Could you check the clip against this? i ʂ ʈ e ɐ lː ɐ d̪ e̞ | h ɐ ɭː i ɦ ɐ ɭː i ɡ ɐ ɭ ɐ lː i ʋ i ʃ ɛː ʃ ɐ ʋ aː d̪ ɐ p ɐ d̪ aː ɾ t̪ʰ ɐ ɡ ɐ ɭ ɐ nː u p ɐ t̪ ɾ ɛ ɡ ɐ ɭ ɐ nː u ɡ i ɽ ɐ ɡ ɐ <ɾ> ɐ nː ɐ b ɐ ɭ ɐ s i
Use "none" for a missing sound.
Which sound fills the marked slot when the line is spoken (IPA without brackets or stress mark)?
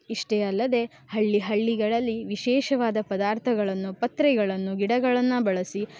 ɭ